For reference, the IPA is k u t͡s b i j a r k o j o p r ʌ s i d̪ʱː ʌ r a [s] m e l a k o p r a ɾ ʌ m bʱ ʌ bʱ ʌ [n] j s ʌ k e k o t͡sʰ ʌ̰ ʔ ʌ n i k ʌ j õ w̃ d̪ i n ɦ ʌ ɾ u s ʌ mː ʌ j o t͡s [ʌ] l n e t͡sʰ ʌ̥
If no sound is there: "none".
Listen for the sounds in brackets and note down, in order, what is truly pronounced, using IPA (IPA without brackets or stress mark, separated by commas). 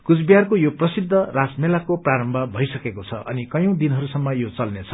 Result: s, none, ʌ